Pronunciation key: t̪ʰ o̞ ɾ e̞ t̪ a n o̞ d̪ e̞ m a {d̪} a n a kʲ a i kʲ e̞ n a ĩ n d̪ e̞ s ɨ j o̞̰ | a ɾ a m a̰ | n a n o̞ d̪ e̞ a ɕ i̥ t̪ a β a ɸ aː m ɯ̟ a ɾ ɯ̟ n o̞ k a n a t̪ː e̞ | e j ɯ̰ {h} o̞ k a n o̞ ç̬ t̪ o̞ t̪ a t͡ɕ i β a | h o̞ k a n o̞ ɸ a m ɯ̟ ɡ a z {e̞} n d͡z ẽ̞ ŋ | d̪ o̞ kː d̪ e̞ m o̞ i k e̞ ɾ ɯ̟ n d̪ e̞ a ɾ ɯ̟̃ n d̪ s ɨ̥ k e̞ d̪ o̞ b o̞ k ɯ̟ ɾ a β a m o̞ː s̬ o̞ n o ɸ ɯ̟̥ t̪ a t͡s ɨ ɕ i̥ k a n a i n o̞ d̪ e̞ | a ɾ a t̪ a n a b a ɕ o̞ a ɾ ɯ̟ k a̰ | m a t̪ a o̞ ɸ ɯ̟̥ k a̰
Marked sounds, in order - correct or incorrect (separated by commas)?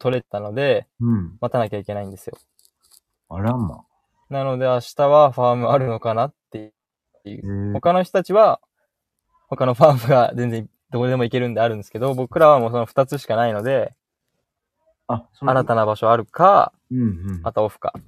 incorrect, correct, incorrect